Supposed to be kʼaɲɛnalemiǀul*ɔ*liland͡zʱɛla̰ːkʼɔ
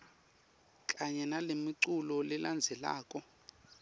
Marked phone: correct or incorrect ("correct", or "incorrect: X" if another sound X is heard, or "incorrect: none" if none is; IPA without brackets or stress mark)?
correct